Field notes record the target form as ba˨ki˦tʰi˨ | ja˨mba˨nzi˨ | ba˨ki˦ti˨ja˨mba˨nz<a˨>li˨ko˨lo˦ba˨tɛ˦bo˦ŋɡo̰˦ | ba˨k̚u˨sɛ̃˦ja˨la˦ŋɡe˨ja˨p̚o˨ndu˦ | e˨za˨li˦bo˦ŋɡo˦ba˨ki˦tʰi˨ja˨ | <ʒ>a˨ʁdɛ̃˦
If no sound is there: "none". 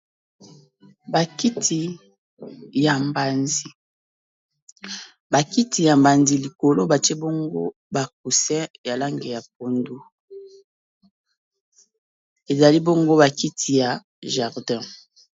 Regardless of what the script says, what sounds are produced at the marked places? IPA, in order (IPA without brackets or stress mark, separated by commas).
i˨, ʒ